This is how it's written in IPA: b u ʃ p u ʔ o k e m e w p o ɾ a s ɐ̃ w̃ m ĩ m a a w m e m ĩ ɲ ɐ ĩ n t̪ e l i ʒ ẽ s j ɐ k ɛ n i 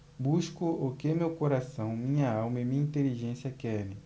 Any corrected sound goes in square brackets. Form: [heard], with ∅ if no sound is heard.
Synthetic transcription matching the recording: b u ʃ [k] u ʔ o k e m e w [k] o ɾ a s ɐ̃ w̃ m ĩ [ɲ] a a w m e m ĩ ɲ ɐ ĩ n t̪ e l i ʒ ẽ s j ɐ k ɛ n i